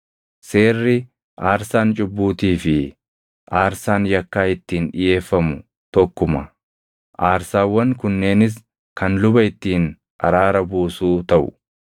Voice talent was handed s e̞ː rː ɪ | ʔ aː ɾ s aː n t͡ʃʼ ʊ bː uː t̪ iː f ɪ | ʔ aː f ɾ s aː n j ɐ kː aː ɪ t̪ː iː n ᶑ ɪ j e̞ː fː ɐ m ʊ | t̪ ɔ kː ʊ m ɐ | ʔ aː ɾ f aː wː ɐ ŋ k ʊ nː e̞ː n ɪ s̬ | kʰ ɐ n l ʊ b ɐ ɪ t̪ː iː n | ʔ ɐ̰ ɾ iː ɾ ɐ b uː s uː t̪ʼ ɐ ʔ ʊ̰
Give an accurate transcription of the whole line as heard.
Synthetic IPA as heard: s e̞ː rː ɪ | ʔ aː ɾ s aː n t͡ʃʼ ʊ bː uː t̪ iː f ɪ | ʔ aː ɾ s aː n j ɐ kː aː ɪ t̪ː iː n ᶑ ɪ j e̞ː fː ɐ m ʊ | t̪ ɔ kː ʊ m ɐ | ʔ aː ɾ s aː wː ɐ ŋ k ʊ nː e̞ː n ɪ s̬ | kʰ ɐ n l ʊ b ɐ ɪ t̪ː iː n | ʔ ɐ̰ ɾ aː ɾ ɐ b uː s uː t̪ ɐ ʔ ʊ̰